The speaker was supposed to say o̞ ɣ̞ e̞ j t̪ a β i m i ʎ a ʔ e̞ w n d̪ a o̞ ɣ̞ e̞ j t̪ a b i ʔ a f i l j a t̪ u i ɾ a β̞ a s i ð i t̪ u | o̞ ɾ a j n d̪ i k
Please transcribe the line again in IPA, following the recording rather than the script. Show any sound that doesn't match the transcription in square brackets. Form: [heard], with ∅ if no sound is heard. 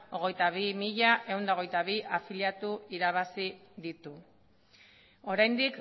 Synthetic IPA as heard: o̞ ɣ̞ e̞ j t̪ a β i m i ʎ a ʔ e̞ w n d̪ a o̞ ɣ̞ e̞ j t̪ a [β] i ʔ a f i l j a t̪ u i ɾ a β̞ a s i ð i t̪ u | o̞ ɾ a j n d̪ i k